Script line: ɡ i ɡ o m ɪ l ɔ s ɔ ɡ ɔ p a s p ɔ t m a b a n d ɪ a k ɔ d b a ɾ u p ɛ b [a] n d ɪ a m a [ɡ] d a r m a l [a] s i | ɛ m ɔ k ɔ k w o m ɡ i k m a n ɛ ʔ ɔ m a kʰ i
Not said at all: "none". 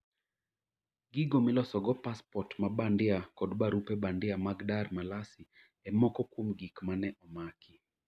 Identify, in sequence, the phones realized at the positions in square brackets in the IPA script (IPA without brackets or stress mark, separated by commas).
a, ɡ, a